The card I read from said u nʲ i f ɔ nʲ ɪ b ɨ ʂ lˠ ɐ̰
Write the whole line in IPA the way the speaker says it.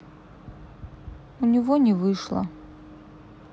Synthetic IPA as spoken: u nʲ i v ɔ nʲ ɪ v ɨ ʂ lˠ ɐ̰